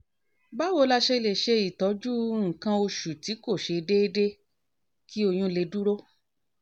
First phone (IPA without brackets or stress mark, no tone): b